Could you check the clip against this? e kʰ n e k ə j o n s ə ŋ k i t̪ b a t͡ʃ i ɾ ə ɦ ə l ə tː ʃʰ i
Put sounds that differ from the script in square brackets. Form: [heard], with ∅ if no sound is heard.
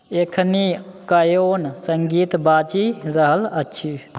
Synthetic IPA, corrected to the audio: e kʰ n [i] k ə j o n s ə ŋ [ɡ] i t̪ b a t͡ʃ i ɾ ə ɦ ə l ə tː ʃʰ i